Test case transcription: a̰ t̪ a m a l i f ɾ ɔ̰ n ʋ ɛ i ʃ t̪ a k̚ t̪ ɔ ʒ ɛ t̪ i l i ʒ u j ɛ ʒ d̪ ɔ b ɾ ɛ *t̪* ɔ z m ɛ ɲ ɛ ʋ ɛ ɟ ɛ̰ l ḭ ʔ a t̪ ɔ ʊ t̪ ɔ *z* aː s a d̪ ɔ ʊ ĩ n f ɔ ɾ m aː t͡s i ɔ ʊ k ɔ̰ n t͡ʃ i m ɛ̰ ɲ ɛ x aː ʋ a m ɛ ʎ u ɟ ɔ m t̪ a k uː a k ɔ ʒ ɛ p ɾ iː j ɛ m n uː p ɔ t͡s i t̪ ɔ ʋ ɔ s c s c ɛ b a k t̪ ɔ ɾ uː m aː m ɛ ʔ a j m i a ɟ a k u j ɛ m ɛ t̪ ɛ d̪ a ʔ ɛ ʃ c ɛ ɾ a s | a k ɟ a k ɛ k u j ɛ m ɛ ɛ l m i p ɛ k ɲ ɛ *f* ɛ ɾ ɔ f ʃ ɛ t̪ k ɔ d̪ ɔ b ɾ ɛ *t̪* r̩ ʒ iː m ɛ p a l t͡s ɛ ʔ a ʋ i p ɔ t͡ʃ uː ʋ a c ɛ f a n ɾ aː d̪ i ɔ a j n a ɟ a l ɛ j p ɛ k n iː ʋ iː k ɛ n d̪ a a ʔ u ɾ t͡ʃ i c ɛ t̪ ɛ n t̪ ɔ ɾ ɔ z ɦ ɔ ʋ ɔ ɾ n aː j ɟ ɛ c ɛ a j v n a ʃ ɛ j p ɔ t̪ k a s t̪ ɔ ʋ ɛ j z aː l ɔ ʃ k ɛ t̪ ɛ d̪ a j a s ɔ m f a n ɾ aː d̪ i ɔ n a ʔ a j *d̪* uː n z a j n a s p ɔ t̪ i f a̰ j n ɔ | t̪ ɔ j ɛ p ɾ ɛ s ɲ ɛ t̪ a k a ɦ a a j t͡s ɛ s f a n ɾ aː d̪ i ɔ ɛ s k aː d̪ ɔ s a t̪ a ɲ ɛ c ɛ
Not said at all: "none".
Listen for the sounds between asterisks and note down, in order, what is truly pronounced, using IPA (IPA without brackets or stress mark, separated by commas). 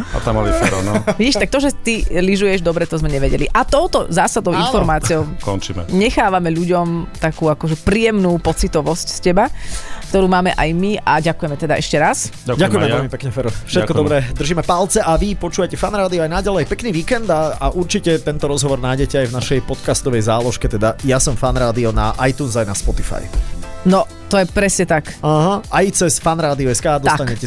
t̪, z, f, d̪, t̪